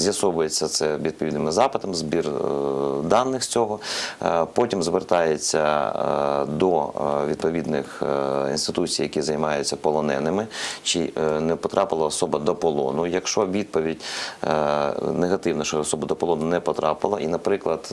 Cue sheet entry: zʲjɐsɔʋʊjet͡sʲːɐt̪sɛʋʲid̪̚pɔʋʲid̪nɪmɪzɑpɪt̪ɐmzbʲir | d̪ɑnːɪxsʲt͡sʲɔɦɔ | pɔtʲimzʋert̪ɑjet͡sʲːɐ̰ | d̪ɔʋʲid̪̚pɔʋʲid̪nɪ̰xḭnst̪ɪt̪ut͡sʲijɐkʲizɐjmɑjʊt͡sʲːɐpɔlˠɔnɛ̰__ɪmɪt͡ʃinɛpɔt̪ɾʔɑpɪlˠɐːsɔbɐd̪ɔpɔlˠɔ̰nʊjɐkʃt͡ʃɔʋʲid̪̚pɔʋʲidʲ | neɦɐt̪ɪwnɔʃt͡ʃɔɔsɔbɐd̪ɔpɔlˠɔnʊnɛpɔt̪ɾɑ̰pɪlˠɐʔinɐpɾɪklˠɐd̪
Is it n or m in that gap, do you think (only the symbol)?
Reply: n